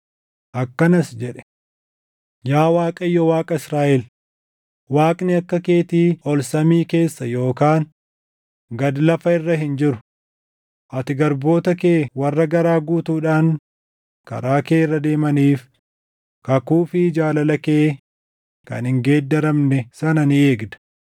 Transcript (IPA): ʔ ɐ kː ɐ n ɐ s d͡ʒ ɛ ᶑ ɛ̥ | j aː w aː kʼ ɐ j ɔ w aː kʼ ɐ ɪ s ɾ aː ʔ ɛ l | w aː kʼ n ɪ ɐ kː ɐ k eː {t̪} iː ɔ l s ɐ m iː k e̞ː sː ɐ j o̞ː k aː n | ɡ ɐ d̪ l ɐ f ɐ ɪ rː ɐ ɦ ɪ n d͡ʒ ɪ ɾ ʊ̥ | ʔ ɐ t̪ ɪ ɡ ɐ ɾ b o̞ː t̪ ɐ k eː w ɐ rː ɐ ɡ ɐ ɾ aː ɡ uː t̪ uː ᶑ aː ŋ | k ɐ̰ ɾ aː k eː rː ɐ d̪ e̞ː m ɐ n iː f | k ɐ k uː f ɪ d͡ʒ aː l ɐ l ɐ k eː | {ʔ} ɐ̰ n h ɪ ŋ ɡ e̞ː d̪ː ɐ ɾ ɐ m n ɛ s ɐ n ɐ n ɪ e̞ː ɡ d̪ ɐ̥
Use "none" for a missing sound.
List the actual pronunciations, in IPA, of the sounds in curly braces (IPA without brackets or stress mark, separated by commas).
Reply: t̪, k